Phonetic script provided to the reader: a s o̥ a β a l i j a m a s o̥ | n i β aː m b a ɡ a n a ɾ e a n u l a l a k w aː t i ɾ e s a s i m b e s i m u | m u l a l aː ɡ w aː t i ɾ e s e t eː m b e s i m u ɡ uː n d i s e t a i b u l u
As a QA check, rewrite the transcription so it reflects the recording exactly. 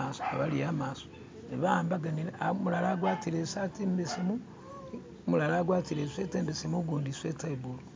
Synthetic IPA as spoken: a s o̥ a β a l i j a m a s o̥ | n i β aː m b a ɡ a n i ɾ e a m u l a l a ɡ w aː t i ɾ e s a t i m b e s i m u | m u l a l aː ɡ w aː t i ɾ e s e t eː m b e s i m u ɡ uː n d i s e t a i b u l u